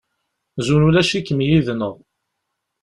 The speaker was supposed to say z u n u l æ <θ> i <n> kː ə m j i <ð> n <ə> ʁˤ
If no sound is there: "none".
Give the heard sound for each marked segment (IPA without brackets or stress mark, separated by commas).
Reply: ʃ, none, ð, ə